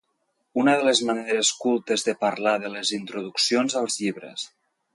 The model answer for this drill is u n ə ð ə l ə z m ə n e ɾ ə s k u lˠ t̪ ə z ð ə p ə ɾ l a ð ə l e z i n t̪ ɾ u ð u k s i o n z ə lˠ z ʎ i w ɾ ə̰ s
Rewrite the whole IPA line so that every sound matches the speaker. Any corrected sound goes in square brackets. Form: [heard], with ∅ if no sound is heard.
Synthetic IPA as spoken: u n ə ð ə l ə z m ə n e ɾ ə s k u lˠ t̪ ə z ð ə p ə ɾ l a ð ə l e z i n t̪ ɾ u ð u k s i o n z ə lˠ z ʎ i [β] ɾ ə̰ s